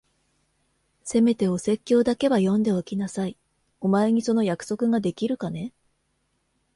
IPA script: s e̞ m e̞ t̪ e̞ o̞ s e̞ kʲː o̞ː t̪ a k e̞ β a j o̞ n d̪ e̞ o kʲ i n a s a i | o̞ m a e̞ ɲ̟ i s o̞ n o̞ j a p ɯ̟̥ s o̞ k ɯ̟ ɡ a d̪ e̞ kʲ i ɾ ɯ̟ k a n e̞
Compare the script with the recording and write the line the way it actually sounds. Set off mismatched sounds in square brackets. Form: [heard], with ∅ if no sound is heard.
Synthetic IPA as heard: s e̞ m e̞ t̪ e̞ o̞ s e̞ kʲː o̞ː [d̪] a k e̞ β a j [õ̞] n d̪ e̞ o kʲ i n a s a i | o̞ m a e̞ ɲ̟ i s o̞ n o̞ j a [k] ɯ̟̥ s o̞ k ɯ̟ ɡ a d̪ e̞ kʲ i ɾ ɯ̟ k a n e̞